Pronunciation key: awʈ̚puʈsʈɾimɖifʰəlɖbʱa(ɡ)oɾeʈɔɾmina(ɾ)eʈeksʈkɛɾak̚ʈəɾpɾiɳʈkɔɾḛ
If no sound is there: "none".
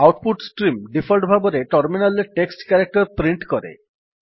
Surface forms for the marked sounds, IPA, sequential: b, l

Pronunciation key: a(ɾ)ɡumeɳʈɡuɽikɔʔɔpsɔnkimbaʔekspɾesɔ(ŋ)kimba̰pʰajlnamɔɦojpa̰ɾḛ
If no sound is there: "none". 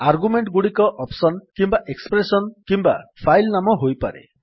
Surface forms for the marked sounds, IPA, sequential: ɾ, n

